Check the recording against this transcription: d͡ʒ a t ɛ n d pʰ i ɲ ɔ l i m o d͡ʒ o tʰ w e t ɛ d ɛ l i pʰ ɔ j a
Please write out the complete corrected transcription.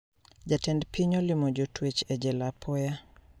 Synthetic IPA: d͡ʒ a t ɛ n d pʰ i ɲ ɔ l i m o d͡ʒ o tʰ w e t͡ʃ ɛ d͡ʒ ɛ l a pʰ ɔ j a